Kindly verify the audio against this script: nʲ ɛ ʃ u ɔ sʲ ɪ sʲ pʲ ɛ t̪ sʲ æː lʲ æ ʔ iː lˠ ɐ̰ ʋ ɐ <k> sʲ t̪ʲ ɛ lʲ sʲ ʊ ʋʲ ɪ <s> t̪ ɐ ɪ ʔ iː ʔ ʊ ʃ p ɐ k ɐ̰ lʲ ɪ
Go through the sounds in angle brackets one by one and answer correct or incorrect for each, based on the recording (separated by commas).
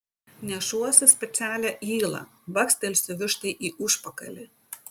correct, incorrect